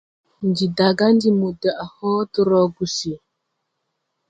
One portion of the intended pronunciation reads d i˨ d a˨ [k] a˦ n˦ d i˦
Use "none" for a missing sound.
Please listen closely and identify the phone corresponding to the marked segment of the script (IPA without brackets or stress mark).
ɡ